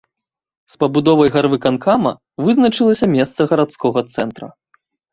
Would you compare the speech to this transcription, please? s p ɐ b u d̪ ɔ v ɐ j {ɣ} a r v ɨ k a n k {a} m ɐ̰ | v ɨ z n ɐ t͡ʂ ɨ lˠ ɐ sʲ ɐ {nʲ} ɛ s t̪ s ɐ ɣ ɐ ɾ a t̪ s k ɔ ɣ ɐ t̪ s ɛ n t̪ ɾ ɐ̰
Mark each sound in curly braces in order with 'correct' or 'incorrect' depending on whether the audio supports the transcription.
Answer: correct, correct, incorrect: mʲ

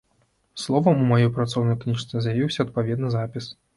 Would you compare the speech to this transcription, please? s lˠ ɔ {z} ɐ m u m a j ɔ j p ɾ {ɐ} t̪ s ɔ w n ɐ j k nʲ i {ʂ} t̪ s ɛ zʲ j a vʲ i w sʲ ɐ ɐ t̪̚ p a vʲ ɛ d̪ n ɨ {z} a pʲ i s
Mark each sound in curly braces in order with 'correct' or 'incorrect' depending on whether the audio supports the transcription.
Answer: incorrect: v, incorrect: a, correct, correct

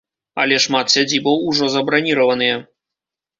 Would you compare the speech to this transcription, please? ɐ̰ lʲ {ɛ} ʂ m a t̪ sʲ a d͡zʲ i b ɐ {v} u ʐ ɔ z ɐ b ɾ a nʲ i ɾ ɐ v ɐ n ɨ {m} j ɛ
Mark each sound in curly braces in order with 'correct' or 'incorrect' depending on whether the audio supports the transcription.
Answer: correct, incorrect: w, incorrect: none

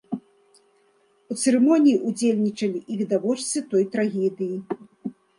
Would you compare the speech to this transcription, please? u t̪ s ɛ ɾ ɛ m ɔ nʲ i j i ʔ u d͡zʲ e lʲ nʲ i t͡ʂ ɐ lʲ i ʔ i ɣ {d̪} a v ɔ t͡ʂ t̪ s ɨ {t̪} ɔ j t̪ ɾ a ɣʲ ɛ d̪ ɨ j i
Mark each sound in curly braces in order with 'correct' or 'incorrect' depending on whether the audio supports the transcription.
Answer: correct, correct

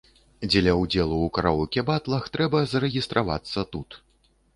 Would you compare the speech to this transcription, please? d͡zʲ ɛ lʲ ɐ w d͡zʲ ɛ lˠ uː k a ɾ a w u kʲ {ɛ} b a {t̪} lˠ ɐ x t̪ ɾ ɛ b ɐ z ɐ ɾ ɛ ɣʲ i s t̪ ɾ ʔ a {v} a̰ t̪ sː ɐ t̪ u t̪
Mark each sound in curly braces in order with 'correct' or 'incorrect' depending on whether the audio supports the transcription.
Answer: correct, correct, correct

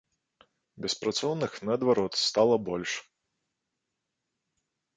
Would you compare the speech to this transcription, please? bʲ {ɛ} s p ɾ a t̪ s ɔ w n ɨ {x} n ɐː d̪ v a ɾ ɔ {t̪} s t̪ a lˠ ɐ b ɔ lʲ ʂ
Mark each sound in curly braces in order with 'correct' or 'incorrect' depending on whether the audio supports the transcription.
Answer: correct, correct, correct

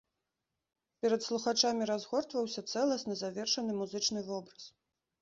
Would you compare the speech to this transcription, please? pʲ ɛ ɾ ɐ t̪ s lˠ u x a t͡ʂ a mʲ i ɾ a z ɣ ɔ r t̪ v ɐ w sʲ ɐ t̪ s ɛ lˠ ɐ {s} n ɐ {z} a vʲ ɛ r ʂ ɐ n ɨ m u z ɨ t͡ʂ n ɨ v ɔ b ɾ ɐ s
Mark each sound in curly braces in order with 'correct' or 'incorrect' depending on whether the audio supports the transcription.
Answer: correct, correct

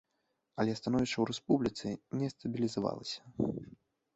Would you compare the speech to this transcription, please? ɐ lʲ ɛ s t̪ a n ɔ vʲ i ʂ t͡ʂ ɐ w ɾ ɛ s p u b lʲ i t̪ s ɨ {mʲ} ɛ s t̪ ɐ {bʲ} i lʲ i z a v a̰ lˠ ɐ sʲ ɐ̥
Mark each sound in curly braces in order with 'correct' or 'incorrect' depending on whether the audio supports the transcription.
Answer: incorrect: nʲ, correct

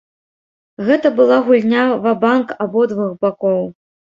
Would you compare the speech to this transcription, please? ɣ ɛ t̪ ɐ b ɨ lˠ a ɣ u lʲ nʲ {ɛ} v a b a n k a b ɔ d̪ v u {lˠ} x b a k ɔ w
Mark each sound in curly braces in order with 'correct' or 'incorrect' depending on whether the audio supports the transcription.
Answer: incorrect: a, incorrect: none

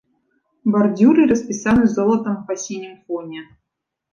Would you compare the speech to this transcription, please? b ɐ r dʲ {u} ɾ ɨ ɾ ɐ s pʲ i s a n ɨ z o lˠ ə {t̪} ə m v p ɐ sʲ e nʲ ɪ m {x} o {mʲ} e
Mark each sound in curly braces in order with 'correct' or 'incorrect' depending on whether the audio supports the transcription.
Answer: correct, correct, incorrect: f, incorrect: nʲ

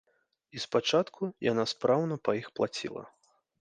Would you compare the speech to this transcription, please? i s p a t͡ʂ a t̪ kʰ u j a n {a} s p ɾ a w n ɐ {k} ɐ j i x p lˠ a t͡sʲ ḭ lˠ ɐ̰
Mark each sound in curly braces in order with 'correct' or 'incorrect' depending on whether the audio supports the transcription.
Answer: correct, incorrect: p

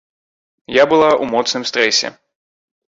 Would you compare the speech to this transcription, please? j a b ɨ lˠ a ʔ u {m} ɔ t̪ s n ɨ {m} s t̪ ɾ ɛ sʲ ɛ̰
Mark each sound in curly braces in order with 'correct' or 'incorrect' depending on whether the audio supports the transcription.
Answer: correct, correct

